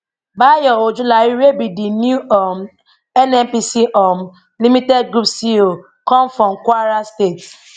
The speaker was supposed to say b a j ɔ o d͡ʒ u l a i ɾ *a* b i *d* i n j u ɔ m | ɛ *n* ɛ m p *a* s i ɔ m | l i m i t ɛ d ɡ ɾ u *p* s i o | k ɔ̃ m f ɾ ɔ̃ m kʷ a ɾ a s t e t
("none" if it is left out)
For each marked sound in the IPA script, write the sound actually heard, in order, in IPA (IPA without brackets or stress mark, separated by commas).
e, d, n, i, p